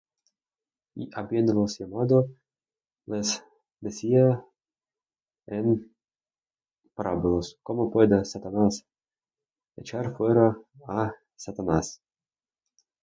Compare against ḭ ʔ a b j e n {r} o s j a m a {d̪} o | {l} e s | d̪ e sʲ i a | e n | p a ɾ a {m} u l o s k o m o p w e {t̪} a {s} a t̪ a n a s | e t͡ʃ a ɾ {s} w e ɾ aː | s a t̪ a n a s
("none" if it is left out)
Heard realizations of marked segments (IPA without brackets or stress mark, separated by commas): l, d̪, l, b, d̪, s, f